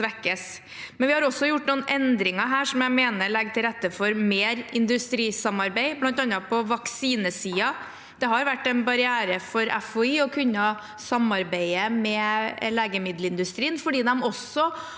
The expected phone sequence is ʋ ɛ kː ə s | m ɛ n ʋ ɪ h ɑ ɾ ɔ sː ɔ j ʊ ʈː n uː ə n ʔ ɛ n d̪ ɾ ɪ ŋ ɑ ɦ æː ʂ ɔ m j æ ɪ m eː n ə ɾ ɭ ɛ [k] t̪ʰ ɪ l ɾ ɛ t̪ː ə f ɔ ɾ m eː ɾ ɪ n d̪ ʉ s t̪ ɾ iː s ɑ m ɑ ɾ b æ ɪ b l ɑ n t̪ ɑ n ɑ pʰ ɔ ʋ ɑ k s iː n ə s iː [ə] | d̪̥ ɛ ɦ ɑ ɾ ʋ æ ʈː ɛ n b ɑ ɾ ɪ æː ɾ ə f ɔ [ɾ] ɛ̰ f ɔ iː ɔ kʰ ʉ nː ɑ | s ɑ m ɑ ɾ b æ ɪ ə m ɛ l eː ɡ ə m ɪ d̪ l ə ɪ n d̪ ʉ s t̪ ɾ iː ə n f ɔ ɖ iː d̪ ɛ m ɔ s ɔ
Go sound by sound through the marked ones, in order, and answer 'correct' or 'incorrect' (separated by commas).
incorrect, incorrect, correct